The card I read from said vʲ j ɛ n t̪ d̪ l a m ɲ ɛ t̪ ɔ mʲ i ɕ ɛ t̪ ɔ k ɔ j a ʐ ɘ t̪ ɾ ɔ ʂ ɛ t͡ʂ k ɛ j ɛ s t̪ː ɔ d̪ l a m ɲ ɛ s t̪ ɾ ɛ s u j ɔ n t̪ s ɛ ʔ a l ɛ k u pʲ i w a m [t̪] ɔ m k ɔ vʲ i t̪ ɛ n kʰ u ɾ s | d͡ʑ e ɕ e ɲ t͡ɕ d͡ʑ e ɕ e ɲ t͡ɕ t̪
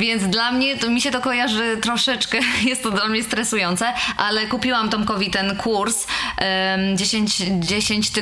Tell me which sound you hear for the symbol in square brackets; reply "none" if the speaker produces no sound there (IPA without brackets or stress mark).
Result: t̪